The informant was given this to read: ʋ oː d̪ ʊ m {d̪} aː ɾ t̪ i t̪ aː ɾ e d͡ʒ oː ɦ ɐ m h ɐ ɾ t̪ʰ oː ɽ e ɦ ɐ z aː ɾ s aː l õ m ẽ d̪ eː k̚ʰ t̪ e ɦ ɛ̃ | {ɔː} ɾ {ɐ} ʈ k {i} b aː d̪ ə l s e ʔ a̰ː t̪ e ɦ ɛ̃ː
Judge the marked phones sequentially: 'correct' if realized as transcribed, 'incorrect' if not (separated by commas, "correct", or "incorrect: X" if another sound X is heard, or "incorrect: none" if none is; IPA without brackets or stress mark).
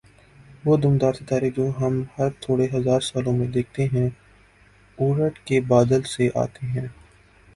correct, incorrect: uː, incorrect: ə, incorrect: e